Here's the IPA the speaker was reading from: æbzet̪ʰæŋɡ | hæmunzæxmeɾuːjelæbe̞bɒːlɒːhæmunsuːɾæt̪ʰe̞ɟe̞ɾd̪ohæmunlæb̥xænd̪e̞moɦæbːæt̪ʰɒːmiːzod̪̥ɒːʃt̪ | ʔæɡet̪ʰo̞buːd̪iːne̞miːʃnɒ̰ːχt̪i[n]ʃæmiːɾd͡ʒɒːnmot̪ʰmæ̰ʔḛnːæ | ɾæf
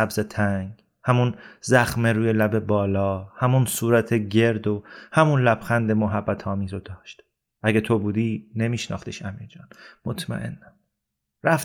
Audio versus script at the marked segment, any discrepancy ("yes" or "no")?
yes